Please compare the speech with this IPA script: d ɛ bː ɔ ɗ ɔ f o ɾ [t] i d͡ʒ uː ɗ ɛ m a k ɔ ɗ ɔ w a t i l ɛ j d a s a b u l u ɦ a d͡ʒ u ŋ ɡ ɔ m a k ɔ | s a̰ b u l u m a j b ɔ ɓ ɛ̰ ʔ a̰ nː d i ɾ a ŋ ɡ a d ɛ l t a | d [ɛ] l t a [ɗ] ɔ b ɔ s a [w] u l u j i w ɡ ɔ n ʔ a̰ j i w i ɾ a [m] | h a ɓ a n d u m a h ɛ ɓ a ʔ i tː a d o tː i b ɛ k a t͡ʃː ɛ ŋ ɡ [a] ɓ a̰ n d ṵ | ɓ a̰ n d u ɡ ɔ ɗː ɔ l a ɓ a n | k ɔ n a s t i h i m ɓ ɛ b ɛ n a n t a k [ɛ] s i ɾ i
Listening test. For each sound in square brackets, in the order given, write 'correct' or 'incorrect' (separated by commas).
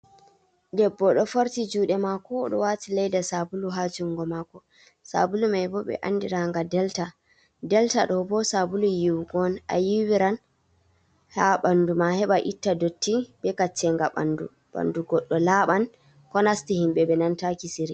correct, correct, correct, incorrect, incorrect, correct, incorrect